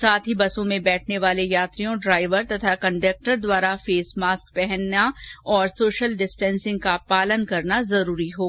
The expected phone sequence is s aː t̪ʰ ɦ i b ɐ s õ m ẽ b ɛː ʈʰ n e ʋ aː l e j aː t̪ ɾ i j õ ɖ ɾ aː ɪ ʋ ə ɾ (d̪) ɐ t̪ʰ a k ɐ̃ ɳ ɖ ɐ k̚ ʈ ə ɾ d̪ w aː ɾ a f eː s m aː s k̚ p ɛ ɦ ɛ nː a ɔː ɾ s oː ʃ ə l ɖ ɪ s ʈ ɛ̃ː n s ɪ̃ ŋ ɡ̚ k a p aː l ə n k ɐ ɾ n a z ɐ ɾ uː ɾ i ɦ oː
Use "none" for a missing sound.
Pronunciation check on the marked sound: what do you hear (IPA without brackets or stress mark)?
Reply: t̪